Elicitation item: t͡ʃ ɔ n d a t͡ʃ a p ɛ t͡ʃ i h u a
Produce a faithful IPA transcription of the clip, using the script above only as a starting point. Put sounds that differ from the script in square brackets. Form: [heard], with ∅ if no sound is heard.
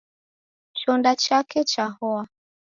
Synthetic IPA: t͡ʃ ɔ n d a t͡ʃ a [k] ɛ t͡ʃ [a] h [ɔ] a